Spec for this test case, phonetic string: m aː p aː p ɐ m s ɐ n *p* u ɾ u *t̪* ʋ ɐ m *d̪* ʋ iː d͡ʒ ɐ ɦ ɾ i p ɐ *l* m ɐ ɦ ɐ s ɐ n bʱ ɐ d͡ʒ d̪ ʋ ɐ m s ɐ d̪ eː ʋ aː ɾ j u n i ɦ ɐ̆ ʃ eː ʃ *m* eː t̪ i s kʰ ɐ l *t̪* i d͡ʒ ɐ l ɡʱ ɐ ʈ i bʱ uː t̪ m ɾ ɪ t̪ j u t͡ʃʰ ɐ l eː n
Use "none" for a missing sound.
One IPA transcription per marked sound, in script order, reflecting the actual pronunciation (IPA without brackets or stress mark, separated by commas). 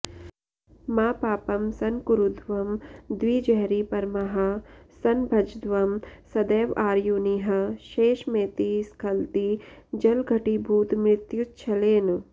k, d̪, d̪, ɾ, m, t̪